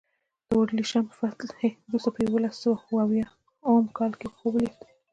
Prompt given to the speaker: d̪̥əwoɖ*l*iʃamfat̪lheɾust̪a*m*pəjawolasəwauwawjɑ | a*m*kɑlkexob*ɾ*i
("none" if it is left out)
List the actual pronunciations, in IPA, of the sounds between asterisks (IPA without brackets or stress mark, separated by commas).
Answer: l, none, m, l